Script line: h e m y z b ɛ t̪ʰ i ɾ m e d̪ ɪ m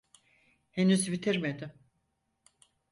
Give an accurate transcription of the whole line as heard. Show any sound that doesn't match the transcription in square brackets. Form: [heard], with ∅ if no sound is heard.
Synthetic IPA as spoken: h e [n] y z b [i] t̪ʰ i ɾ m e d̪ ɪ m